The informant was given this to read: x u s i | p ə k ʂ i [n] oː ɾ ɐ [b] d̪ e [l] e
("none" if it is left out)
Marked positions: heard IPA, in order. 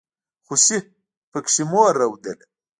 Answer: m, w, l

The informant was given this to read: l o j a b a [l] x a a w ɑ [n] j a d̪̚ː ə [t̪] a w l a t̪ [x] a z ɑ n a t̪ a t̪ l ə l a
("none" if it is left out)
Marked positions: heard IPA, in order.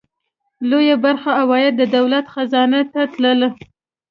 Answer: ɾ, none, d̪, x

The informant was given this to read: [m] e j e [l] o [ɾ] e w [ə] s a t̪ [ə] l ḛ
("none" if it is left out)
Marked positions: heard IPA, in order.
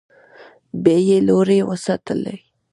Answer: b, l, ɾ, ə, ə

